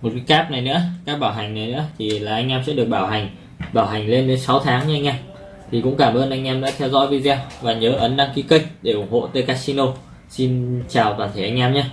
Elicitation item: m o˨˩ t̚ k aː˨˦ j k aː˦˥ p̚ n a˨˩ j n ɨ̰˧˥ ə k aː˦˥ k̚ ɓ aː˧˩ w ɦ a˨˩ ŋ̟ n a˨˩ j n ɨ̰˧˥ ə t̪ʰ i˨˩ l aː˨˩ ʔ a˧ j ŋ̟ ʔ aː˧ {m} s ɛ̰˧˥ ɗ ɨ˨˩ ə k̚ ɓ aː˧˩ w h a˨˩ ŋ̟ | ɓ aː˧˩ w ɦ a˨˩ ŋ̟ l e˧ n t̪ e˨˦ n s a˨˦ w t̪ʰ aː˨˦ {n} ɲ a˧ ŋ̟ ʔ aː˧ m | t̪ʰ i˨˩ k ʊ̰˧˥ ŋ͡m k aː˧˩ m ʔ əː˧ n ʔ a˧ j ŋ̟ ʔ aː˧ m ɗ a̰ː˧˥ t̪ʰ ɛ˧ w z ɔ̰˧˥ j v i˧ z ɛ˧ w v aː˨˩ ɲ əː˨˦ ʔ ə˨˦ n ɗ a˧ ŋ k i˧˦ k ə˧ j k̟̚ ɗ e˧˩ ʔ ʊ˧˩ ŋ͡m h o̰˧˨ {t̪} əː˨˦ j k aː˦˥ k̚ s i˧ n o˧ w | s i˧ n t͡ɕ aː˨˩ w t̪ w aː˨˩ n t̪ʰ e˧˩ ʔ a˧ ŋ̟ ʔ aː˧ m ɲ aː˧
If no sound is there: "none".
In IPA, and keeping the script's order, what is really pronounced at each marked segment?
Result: m, ŋ, t̪

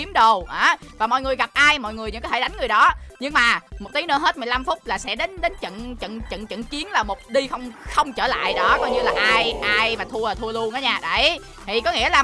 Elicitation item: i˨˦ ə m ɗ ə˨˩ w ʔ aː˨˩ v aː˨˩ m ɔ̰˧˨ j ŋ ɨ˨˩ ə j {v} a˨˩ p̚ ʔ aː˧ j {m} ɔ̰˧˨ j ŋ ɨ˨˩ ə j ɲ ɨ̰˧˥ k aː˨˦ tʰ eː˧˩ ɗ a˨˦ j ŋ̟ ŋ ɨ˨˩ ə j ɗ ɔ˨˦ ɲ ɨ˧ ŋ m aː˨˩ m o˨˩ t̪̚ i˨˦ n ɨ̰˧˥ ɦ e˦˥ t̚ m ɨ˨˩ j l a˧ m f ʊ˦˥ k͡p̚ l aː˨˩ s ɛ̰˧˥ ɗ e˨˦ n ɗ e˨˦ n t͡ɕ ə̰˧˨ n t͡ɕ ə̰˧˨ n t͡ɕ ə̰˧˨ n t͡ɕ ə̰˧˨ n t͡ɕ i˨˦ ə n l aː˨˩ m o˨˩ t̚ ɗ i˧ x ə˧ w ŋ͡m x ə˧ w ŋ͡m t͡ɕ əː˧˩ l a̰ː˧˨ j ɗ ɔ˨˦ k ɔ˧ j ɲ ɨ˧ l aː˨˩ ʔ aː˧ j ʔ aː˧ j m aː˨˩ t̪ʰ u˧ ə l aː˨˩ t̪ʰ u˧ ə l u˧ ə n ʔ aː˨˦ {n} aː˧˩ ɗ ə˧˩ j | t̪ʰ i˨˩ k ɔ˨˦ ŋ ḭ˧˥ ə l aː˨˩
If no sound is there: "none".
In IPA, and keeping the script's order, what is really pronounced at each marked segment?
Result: ɣ, m, ɲ

